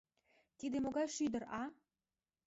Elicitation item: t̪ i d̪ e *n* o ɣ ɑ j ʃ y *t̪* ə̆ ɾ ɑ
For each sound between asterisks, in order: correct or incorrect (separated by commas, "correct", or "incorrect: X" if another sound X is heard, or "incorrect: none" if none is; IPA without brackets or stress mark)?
incorrect: m, incorrect: d̪